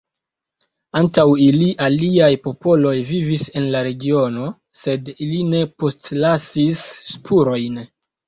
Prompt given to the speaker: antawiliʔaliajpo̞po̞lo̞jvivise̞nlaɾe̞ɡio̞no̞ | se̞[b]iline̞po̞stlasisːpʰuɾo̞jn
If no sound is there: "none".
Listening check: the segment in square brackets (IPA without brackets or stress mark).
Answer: d